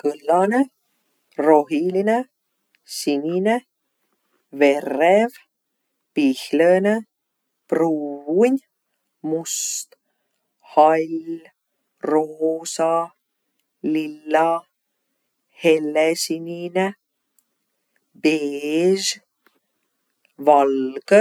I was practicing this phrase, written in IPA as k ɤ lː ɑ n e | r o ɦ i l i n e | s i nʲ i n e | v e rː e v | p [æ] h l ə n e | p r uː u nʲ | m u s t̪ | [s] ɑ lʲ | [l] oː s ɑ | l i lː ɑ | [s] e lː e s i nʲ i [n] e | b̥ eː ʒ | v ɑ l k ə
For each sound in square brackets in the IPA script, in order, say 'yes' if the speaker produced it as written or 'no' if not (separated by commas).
no, no, no, no, yes